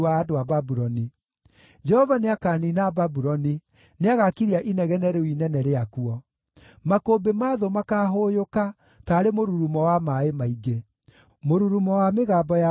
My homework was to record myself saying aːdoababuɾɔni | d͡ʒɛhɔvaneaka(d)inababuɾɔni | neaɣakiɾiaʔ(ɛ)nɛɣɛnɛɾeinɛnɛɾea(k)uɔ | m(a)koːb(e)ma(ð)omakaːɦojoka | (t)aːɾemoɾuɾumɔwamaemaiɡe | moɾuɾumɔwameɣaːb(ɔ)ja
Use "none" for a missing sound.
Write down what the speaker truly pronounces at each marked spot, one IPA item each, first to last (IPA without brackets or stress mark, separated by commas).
n, i, k, a, e, ð, t, ɔ